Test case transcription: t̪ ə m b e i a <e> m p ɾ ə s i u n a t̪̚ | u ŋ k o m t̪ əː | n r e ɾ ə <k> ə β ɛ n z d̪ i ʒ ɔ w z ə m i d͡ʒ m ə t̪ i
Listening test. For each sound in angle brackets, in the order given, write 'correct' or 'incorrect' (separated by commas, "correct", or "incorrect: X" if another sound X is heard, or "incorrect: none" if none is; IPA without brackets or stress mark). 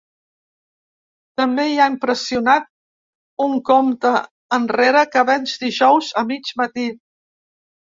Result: incorrect: i, correct